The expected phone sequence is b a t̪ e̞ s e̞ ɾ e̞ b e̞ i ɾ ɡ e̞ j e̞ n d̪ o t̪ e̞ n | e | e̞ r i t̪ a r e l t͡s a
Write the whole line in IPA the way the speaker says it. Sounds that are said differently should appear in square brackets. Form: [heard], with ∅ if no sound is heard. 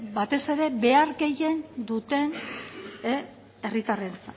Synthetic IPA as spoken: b a t̪ e̞ s e̞ ɾ e̞ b e̞ [a] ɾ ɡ e̞ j e̞ n d̪ [u] t̪ e̞ n | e | e̞ r i t̪ a r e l t͡s a